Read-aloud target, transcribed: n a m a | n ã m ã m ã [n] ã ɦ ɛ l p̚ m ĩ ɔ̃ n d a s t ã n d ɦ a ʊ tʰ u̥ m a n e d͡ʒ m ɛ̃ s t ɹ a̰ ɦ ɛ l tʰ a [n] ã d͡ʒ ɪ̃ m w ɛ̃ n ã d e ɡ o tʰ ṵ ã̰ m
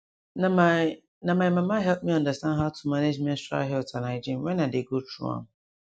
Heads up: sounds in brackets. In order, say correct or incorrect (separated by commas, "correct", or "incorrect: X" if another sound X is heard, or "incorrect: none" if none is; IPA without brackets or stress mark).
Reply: incorrect: m, correct